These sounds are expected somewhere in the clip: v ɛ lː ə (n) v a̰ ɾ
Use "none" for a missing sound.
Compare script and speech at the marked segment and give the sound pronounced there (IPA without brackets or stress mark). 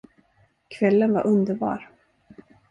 n